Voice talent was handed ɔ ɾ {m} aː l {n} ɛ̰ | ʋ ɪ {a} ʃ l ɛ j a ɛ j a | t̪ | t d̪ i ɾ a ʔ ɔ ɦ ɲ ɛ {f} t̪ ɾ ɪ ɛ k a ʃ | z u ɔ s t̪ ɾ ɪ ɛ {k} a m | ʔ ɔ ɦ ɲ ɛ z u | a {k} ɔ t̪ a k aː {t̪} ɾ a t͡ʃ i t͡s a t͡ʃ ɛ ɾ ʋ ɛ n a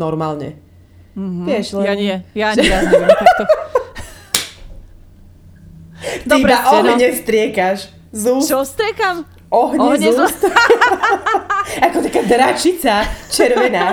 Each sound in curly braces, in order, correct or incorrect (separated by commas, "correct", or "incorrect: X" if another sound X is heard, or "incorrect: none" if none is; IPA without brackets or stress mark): correct, incorrect: ɲ, incorrect: ɛ, incorrect: s, correct, correct, incorrect: d̪